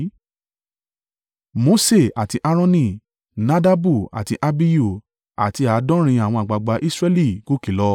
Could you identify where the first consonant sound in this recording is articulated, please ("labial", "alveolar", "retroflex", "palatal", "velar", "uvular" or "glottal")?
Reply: labial